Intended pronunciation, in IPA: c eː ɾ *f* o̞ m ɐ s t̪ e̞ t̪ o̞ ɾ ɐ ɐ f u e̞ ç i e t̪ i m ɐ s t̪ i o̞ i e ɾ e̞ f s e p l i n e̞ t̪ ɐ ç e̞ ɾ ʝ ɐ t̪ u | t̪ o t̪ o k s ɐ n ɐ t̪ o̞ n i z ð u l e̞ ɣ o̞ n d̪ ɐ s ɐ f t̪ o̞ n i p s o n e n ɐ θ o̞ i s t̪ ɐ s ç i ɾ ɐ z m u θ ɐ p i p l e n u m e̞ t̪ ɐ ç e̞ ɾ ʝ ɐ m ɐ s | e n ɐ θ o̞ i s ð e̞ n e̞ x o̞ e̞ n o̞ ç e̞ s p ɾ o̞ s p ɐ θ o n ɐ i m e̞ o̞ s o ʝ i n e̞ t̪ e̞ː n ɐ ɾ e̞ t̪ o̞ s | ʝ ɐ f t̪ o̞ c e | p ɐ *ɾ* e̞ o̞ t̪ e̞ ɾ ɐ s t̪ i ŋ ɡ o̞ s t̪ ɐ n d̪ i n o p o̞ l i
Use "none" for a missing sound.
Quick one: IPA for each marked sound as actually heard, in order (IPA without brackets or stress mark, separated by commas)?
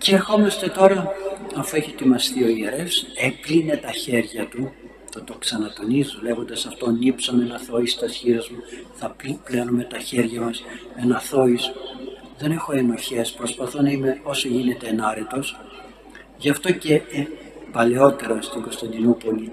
x, l